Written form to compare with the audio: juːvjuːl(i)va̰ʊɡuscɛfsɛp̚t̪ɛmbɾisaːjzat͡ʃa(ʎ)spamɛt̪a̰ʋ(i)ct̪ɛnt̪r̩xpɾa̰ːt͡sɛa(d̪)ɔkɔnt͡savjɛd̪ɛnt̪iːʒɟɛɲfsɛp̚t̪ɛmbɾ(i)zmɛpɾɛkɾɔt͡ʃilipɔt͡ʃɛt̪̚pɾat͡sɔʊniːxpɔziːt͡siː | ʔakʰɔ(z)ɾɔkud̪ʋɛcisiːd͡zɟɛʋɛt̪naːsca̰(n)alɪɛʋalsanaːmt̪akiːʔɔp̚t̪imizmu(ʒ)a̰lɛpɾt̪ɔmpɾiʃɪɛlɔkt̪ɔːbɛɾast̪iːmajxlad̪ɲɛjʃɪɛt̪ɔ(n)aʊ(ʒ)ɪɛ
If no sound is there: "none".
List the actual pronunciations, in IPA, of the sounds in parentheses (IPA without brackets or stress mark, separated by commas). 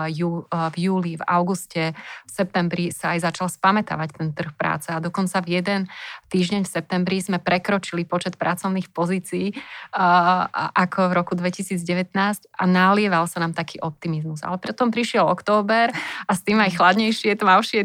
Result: i, l, a, d̪, i, v, n, z, m, ʃ